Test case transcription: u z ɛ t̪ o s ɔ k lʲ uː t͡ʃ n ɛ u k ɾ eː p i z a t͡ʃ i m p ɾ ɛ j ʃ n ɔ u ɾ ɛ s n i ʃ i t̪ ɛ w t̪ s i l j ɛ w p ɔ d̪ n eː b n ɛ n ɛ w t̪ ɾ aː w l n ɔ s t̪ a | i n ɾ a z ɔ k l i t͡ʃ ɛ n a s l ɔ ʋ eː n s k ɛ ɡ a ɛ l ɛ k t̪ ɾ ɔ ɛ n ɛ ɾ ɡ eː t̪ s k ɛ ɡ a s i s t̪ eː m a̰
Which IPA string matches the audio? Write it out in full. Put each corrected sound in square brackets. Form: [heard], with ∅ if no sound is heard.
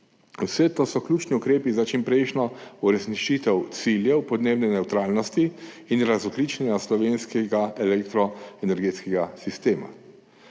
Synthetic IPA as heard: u [s] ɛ t̪ o s ɔ k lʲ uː t͡ʃ n [i] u k ɾ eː p i z a t͡ʃ i m p ɾ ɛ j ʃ n ɔ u ɾ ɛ s n i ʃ i t̪ ɛ w t̪ s i l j ɛ w p ɔ d̪ n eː b n ɛ n ɛ w t̪ ɾ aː [∅] l n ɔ s t̪ [i] | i n ɾ a z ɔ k l i t͡ʃ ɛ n a s l ɔ ʋ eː n s k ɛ ɡ a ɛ l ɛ k t̪ ɾ ɔ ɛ n ɛ ɾ ɡ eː t̪ s k ɛ ɡ a s i s t̪ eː m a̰